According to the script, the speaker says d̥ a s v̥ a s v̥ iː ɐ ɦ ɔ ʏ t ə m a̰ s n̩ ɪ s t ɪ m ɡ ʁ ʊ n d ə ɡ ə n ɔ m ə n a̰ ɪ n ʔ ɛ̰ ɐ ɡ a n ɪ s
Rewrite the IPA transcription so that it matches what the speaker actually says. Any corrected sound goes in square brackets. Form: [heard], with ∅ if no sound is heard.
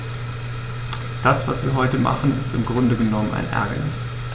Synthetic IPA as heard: d̥ a s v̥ a s v̥ iː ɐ ɦ ɔ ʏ t ə m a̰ [χ] n̩ ɪ s t ɪ m ɡ ʁ ʊ n d ə ɡ ə n ɔ m ə n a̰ ɪ n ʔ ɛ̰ ɐ ɡ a n ɪ s